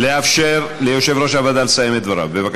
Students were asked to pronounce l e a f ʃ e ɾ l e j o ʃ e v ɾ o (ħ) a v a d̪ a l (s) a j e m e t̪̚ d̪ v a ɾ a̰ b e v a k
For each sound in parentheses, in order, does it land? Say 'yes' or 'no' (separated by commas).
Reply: no, yes